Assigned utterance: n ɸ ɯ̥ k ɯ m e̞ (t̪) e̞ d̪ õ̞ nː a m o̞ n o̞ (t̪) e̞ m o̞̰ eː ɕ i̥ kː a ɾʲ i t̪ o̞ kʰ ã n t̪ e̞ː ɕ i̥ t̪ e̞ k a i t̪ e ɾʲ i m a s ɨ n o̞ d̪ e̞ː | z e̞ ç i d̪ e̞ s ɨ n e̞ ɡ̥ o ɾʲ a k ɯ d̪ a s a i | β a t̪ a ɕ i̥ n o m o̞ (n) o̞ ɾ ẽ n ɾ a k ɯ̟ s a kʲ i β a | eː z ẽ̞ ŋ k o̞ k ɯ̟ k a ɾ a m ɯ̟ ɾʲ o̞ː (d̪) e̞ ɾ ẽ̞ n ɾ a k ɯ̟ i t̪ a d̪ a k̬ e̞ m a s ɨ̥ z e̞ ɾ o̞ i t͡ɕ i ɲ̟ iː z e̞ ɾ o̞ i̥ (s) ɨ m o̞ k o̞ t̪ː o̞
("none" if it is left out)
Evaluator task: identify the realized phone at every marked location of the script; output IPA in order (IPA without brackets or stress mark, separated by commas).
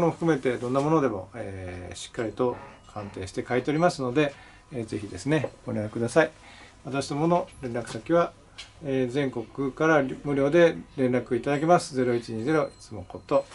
t̪, d̪, n, d̪, t͡s